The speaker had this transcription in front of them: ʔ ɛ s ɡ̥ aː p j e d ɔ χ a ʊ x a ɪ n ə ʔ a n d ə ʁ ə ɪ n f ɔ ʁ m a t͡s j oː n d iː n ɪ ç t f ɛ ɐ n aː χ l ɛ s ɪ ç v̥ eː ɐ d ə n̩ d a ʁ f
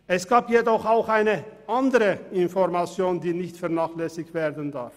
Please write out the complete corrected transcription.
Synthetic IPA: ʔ ɛ s ɡ̥ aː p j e d ɔ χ a ʊ x a ɪ n ə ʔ a n d ə ʁ ə ɪ n f ɔ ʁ m a t͡s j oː n d iː n ɪ ç t f ɛ ɐ n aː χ l ɛ s ɪ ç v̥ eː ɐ d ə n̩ d a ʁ f